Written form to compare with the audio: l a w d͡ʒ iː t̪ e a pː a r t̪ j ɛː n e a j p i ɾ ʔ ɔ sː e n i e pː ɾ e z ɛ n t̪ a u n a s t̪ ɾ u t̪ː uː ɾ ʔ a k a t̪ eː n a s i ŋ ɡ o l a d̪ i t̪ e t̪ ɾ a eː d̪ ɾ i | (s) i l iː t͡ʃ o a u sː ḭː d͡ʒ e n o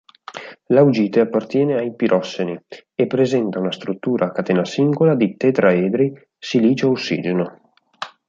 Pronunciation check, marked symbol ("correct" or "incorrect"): correct